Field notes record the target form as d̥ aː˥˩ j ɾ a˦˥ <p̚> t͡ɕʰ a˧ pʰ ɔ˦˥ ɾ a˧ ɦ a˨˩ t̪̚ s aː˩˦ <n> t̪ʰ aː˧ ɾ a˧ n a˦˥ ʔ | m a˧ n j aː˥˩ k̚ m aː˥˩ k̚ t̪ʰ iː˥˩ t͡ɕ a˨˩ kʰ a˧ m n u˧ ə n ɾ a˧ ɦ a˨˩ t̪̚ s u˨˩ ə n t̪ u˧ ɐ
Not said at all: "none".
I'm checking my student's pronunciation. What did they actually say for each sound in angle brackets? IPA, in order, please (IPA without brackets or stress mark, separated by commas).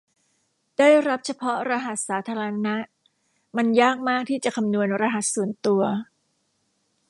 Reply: p̚, none